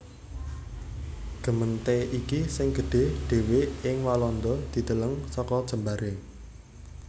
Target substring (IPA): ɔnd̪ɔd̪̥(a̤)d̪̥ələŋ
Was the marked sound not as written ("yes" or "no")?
yes